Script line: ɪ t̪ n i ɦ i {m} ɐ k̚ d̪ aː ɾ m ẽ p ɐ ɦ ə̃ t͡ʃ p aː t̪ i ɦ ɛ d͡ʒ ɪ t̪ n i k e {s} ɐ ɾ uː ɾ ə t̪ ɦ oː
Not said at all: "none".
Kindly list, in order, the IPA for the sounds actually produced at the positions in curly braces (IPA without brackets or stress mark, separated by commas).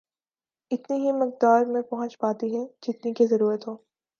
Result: m, z